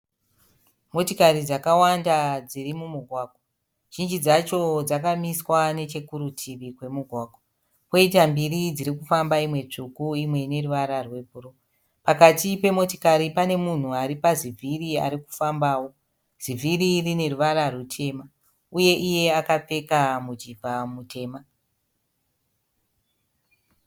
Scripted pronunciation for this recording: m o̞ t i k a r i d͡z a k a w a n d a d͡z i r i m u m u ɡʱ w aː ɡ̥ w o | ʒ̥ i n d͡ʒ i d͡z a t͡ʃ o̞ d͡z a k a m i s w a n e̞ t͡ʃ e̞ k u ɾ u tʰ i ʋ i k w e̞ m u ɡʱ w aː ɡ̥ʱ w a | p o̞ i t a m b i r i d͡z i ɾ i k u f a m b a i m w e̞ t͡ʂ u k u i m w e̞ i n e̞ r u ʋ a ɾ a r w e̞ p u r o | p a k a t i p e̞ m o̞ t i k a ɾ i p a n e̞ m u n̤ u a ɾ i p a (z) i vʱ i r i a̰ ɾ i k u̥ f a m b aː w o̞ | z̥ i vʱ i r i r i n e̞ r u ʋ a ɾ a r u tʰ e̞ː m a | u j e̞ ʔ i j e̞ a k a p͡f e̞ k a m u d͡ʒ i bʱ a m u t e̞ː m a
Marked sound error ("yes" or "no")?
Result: no